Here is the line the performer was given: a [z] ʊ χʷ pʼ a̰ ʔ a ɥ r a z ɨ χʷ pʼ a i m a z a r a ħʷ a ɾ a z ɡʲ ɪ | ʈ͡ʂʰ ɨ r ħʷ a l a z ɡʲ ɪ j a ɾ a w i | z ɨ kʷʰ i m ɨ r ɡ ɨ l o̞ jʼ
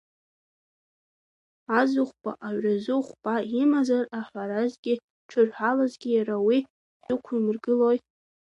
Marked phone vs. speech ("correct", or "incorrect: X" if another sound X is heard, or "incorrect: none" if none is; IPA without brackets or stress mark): correct